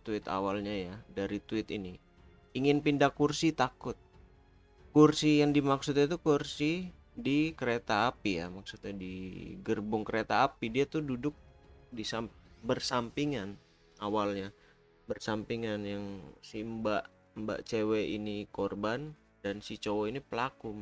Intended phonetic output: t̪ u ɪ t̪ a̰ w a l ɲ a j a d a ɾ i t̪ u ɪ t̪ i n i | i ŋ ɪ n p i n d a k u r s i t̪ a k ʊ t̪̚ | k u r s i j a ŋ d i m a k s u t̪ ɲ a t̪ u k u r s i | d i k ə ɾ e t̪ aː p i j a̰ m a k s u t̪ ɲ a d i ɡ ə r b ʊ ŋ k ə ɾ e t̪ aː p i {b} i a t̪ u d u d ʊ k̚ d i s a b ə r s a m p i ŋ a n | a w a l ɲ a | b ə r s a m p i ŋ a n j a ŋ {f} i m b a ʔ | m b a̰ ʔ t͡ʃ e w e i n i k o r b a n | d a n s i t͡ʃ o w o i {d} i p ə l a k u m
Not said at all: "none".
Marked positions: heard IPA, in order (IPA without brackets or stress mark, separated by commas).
d, s, n